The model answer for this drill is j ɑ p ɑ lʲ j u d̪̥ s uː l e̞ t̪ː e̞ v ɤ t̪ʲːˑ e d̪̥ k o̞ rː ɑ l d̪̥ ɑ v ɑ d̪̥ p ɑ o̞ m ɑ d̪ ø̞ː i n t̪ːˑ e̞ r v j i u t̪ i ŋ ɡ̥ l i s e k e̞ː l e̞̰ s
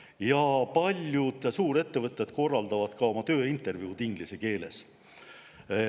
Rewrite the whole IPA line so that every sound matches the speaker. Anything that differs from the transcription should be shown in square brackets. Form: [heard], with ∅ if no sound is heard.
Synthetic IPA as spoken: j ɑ p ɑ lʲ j u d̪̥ s uː [ɾ] e̞ t̪ː e̞ v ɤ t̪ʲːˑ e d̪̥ k o̞ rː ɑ l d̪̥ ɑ v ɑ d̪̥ [k] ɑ o̞ m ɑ [t̪] ø̞ː i n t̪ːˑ e̞ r v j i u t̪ i ŋ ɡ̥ l i s e k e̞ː l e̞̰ s